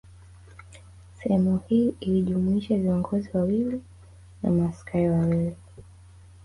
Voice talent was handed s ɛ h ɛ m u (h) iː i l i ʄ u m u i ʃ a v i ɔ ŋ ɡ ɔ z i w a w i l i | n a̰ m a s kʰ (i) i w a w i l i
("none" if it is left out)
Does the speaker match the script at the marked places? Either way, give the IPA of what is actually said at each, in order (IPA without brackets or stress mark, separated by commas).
h, a